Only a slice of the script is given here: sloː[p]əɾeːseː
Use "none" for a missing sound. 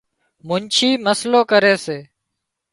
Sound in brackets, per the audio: k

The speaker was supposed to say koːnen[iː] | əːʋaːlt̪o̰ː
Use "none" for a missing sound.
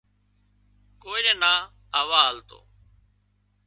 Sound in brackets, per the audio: aː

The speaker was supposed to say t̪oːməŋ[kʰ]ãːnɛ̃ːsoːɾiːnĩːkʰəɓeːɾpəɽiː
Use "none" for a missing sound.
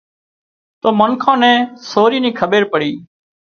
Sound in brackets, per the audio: kʰ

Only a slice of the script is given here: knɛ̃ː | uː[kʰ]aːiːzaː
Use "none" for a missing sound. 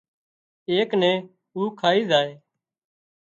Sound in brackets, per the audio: kʰ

